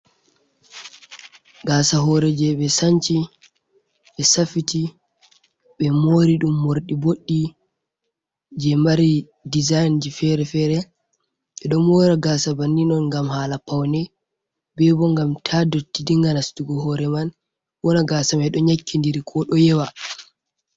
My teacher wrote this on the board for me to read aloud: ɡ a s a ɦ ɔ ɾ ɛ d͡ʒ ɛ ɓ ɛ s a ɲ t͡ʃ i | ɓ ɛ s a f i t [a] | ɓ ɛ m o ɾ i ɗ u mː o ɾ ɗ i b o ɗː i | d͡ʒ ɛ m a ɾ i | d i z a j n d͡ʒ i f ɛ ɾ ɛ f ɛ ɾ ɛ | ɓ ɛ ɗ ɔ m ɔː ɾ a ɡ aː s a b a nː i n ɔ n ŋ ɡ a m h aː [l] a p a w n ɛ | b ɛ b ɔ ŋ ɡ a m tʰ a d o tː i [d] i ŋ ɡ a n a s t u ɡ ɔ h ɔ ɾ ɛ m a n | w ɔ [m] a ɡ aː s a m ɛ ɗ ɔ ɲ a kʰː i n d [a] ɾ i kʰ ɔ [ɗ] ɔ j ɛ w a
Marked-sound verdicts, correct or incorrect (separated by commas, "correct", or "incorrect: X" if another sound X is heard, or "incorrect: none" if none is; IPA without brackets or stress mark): incorrect: i, correct, correct, incorrect: n, incorrect: i, correct